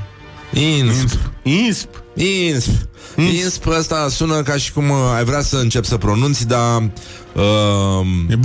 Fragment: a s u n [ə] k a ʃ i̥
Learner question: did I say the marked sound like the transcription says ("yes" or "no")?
yes